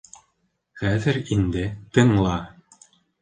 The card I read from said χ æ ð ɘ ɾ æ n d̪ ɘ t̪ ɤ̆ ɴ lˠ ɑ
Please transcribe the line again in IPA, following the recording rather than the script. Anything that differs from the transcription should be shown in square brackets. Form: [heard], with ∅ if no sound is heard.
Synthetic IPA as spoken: χ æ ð ɘ ɾ [i] n d̪ ɘ t̪ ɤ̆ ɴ lˠ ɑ

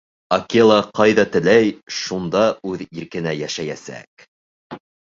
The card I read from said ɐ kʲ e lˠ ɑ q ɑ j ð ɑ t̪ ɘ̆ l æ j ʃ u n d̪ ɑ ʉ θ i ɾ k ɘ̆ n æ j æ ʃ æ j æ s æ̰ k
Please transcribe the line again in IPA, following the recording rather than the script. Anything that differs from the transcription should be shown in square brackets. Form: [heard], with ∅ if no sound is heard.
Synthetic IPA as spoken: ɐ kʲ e lˠ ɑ q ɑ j ð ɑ t̪ ɘ̆ l æ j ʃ u n d̪ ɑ ʉ [ð] i ɾ k ɘ̆ n æ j æ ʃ æ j æ s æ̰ k

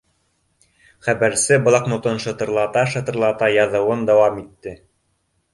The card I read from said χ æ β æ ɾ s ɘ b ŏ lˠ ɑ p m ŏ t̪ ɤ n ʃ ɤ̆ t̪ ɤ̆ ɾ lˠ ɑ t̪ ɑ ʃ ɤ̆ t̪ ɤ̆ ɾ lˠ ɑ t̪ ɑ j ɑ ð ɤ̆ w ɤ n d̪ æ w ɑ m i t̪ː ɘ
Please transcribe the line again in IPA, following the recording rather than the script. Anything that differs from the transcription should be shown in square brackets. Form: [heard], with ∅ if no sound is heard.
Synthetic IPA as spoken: χ æ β æ ɾ s ɘ b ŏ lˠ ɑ [q] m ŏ t̪ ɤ n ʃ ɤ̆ t̪ ɤ̆ ɾ lˠ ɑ t̪ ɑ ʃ ɤ̆ t̪ ɤ̆ ɾ lˠ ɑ t̪ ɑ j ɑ ð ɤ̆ w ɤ n d̪ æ w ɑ m i t̪ː ɘ

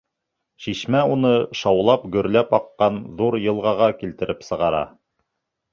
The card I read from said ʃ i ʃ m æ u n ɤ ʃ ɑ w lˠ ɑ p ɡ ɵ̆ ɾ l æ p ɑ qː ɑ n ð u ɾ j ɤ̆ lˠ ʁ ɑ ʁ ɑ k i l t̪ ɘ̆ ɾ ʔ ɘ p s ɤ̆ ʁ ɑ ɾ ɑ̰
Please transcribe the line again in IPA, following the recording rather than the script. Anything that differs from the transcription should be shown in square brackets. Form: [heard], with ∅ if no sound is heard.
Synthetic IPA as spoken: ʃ i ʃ m æ u n ɤ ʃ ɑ w lˠ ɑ p ɡ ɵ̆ ɾ l æ p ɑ qː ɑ n ð u ɾ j ɤ̆ lˠ ʁ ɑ ʁ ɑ k i l t̪ ɘ̆ ɾ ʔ ɘ p s ɤ̆ ʁ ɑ ɾ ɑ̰

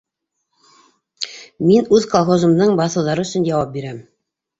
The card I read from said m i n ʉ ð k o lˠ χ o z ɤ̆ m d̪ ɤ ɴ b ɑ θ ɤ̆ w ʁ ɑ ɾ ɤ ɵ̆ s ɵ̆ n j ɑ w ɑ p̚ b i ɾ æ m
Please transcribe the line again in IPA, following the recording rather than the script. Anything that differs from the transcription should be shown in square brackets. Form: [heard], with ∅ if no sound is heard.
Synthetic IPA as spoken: m i n ʉ ð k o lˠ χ o z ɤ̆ m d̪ ɤ ɴ b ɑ θ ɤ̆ w [ð] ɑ ɾ ɤ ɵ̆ s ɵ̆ n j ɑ w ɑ p̚ b i ɾ æ m

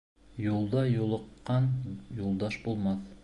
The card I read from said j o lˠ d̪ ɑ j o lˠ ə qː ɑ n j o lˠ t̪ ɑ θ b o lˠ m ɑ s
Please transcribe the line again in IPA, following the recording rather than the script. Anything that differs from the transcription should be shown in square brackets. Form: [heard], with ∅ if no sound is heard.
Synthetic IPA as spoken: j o lˠ d̪ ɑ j o lˠ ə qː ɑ n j o lˠ [d̪] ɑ [ʃ] b o lˠ m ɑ [θ]

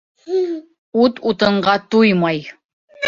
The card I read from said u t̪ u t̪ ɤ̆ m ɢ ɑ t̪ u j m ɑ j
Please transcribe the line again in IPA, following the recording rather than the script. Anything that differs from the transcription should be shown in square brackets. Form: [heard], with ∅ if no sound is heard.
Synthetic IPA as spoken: u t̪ u t̪ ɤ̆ [ɴ] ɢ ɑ t̪ u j m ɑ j

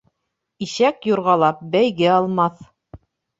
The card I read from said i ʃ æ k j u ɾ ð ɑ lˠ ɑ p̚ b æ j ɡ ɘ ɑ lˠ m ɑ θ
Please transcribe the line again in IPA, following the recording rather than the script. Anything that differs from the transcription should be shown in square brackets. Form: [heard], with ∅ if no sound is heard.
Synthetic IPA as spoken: i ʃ æ k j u ɾ [ʁ] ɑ lˠ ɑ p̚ b æ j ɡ ɘ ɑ lˠ m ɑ θ

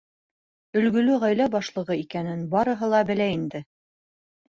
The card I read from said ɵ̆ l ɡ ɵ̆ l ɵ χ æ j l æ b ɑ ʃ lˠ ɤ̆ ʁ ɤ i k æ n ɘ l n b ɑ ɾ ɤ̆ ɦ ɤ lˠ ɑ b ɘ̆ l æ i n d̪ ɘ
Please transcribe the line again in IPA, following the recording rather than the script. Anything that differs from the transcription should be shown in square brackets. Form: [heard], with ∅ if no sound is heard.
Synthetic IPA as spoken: ɵ̆ l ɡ ɵ̆ l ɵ [ʁ] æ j l æ b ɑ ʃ lˠ ɤ̆ ʁ ɤ i k æ n ɘ [∅] n b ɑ ɾ ɤ̆ ɦ ɤ lˠ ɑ b ɘ̆ l æ i n d̪ ɘ

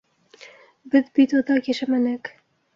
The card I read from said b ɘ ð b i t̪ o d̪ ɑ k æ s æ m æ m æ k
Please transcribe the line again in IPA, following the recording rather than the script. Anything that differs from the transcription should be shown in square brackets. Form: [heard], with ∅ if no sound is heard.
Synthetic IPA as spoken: b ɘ ð b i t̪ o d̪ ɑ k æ [ʃ] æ m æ [n] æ k

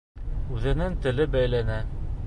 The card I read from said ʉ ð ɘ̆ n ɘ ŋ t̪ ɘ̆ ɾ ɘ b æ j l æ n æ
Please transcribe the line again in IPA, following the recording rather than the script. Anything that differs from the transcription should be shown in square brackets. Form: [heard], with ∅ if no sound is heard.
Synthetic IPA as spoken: ʉ ð ɘ̆ n ɘ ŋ t̪ ɘ̆ [l] ɘ b æ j l æ n æ

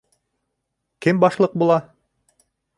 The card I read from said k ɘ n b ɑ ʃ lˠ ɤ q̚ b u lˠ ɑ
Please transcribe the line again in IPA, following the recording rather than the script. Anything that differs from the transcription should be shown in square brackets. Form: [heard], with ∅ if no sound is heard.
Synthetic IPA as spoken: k ɘ [m] b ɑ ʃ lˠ ɤ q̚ b u lˠ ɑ

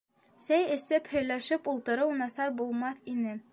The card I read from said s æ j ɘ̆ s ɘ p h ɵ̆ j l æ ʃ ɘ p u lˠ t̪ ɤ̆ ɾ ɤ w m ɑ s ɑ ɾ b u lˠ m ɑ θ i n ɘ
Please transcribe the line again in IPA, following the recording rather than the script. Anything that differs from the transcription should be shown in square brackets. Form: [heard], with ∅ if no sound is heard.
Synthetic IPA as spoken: s æ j ɘ̆ s ɘ p h ɵ̆ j l æ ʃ ɘ p u lˠ t̪ ɤ̆ ɾ ɤ w [n] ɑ s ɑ ɾ b u lˠ m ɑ θ i n ɘ

